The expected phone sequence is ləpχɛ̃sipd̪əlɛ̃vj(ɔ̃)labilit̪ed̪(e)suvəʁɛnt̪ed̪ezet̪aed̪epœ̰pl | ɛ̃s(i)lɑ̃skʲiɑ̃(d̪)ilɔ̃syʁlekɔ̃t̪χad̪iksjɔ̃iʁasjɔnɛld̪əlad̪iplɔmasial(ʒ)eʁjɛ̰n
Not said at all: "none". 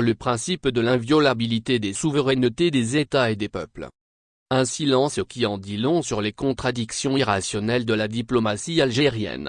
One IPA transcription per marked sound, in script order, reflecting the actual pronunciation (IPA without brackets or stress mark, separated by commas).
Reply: ɔ, e, i, d̪, ʒ